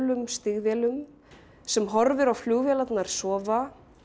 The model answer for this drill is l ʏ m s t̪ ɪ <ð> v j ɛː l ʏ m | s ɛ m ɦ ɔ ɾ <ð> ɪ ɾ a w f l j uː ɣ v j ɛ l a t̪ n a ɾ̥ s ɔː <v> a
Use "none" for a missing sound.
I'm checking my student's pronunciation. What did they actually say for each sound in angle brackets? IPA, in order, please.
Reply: ɣ, v, v

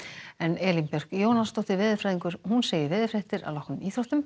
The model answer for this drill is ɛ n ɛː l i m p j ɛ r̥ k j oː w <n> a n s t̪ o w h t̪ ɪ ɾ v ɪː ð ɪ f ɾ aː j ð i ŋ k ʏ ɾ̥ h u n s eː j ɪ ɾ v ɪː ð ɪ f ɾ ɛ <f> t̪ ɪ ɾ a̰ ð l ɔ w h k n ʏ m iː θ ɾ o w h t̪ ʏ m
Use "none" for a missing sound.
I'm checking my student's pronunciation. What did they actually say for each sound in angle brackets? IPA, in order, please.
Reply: n, h

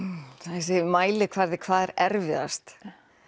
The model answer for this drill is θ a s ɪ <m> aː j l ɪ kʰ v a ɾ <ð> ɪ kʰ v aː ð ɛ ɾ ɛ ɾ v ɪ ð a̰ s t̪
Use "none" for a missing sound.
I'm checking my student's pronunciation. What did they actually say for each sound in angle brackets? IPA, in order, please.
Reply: m, ð

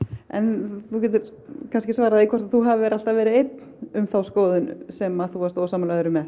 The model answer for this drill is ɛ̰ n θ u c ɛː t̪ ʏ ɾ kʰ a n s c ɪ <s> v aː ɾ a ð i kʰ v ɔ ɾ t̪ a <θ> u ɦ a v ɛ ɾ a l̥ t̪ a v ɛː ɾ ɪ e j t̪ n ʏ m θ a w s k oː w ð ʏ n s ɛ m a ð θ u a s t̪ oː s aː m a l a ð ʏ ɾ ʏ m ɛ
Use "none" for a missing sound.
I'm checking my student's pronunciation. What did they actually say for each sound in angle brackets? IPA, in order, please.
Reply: s, θ

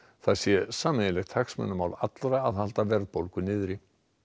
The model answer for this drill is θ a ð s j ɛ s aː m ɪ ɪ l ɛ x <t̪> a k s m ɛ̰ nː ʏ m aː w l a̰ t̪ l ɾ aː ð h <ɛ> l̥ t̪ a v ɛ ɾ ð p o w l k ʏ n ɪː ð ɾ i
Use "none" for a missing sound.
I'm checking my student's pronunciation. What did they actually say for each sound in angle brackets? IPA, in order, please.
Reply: t̪ʰ, a

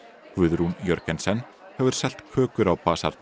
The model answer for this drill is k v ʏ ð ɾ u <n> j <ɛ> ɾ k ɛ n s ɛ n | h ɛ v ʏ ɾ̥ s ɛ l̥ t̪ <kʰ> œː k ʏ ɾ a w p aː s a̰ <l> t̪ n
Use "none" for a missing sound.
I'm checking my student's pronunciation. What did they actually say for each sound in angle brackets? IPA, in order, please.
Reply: n, œ, kʰ, ɾ

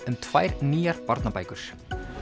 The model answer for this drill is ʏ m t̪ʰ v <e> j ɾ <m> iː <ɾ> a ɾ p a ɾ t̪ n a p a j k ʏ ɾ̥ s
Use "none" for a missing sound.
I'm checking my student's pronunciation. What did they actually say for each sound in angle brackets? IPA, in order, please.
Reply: a, n, none

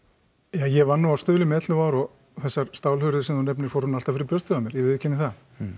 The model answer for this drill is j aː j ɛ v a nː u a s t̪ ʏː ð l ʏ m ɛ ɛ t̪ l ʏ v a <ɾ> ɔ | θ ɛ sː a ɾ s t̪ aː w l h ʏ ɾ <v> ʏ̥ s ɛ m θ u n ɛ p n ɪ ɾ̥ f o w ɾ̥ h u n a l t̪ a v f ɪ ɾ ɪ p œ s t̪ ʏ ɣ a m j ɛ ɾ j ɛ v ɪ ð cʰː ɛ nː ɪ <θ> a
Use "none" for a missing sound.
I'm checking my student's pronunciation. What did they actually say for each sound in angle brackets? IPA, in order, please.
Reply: ɾ, ð, θ

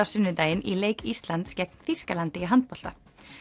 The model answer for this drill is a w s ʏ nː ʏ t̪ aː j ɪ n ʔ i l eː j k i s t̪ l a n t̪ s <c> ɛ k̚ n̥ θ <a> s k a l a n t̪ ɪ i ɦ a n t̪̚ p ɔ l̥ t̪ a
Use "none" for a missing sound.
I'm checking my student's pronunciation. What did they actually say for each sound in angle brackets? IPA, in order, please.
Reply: c, i

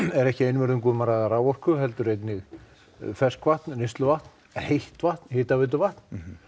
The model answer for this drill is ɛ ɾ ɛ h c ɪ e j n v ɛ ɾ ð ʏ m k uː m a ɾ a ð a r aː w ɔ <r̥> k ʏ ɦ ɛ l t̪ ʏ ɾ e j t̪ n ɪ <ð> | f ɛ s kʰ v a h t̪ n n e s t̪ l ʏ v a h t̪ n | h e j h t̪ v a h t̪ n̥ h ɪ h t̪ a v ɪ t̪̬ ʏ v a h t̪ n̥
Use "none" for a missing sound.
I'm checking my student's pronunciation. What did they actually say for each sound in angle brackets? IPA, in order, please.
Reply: r̥, ɣ

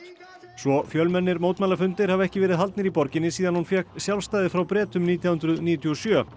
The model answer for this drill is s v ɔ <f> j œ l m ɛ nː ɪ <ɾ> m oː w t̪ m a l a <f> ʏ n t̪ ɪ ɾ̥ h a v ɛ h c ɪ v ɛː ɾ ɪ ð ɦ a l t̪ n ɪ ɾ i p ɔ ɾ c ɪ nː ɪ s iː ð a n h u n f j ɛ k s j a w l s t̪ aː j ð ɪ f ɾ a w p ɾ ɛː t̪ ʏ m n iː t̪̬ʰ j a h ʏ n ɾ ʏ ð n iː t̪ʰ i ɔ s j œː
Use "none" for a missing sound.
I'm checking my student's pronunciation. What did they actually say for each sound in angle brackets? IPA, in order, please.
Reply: f, ɾ, f

